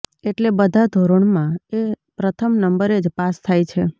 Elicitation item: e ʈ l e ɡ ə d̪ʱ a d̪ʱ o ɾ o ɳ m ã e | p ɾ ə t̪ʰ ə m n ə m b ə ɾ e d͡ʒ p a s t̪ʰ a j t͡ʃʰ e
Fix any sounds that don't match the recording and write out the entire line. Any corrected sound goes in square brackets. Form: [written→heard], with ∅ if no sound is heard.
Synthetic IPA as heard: e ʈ l e [ɡ→b] ə d̪ʱ a d̪ʱ o ɾ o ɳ m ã e | p ɾ ə t̪ʰ ə m n ə m b ə ɾ e d͡ʒ p a s t̪ʰ a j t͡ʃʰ e

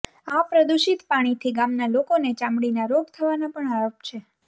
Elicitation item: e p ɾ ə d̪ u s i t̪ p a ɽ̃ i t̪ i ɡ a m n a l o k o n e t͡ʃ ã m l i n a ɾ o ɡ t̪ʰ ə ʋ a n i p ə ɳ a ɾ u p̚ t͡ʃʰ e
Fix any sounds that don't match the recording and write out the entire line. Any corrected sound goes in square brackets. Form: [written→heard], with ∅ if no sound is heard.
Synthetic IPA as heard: [e→a] p ɾ ə d̪ u [s→ʃ] i t̪ p a ɽ̃ i [t̪→t̪ʰ] i ɡ a m n a l o k o n e t͡ʃ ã m [l→ɽ] i n a ɾ o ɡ t̪ʰ ə ʋ a n [i→a] p ə ɳ a ɾ [u→o] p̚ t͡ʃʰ e

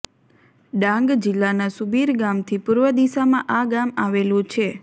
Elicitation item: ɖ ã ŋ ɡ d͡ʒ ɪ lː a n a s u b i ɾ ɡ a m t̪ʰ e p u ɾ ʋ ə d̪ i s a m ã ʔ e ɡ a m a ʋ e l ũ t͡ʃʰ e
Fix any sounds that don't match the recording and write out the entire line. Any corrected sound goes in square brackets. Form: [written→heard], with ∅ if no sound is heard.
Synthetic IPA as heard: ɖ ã ŋ ɡ d͡ʒ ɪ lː a n a s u b i ɾ ɡ a m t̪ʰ [e→i] p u ɾ ʋ ə d̪ i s a m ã ʔ [e→a] ɡ a m a ʋ e l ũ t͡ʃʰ e

